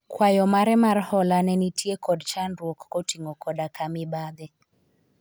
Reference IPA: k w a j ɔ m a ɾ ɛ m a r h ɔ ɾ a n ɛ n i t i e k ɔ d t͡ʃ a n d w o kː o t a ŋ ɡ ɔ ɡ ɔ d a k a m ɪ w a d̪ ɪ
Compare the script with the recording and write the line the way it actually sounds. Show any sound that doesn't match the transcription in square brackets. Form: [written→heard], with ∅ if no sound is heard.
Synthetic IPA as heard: k w a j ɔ m a ɾ ɛ m a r h ɔ [ɾ→l] a n ɛ n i t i e k ɔ d t͡ʃ a n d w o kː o t [a→i] ŋ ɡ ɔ [ɡ→k] ɔ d a k a m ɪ [w→b] a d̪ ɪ

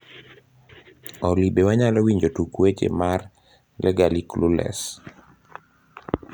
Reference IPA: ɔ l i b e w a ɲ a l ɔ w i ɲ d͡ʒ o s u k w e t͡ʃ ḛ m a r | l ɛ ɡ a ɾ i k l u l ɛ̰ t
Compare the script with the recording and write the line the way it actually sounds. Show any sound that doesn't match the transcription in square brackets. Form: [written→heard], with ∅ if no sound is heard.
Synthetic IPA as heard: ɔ l i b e w a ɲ a l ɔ w i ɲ d͡ʒ o [s→t] u k w e t͡ʃ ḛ m a r | l ɛ ɡ a [ɾ→l] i k l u l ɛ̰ [t→s]

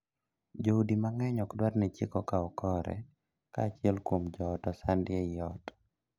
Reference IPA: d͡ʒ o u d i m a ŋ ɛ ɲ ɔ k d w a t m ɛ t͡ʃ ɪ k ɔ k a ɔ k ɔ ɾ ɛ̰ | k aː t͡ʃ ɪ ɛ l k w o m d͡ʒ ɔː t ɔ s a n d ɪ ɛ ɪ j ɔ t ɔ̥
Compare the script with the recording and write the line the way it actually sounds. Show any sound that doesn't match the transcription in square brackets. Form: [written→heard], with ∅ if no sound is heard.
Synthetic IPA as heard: d͡ʒ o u d i m a ŋ ɛ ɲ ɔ k d w a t [m→n] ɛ t͡ʃ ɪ k ɔ k a ɔ k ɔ ɾ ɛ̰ | k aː t͡ʃ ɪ ɛ l k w o m d͡ʒ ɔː t ɔ s a n d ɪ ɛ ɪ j ɔ t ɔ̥

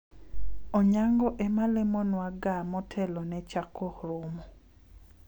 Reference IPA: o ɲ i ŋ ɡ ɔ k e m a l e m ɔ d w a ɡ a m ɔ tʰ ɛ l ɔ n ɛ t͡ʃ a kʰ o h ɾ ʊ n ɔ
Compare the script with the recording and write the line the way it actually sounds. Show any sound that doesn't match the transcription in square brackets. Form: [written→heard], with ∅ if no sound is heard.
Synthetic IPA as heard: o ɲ [i→a] ŋ ɡ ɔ [k→ʔ] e m a l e m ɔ [d→n] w a ɡ a m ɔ tʰ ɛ l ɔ n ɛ t͡ʃ a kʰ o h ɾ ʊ [n→m] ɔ

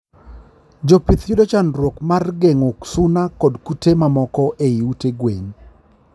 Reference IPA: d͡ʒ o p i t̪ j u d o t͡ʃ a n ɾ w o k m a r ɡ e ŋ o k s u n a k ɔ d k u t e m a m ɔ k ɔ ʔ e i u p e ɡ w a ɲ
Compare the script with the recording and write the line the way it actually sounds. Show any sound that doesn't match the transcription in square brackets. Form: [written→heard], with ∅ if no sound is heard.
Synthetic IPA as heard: d͡ʒ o p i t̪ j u d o t͡ʃ a n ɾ w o k m a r ɡ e ŋ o k s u n a k ɔ d k u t e m a m ɔ k ɔ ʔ e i u [p→t] e ɡ w [a→e] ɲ

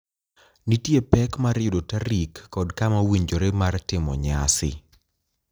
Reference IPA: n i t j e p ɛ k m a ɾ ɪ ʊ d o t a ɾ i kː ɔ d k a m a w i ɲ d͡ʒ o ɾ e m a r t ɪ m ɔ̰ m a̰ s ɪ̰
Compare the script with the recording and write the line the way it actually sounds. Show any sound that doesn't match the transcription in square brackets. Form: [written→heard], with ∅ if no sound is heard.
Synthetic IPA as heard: n i t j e p ɛ k m a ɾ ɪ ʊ d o t a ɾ i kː ɔ d k a m a w i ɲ d͡ʒ o ɾ e m a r t ɪ m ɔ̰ [m→ɲ] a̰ s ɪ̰

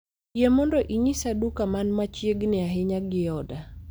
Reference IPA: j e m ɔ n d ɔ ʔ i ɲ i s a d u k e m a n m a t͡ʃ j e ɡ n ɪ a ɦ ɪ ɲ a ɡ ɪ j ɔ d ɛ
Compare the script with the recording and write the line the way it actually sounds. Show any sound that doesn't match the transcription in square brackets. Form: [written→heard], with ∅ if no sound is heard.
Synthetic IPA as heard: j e m ɔ n d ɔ ʔ i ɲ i s a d u k [e→a] m a n m a t͡ʃ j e ɡ n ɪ a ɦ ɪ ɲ a ɡ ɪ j ɔ d [ɛ→a]

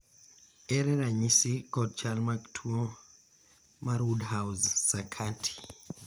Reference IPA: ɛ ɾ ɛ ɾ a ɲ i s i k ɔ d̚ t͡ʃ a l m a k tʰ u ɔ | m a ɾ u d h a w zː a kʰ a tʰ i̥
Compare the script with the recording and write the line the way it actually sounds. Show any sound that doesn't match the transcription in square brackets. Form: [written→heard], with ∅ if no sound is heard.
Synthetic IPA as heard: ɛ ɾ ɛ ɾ a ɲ i s i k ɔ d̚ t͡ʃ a l m a k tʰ u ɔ | m a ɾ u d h a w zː a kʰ a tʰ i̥

